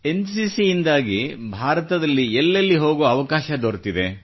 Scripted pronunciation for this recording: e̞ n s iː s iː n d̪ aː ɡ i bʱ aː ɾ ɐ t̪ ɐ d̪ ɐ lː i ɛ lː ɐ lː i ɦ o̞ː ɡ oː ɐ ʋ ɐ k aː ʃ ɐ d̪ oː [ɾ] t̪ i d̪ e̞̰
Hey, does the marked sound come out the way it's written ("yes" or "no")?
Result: yes